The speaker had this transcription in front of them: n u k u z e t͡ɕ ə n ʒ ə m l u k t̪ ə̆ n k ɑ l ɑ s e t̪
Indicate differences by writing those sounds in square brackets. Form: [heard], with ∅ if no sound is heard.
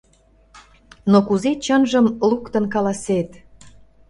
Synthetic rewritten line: n [o] k u z e t͡ɕ ə n ʒ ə m l u k t̪ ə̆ n k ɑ l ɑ s e t̪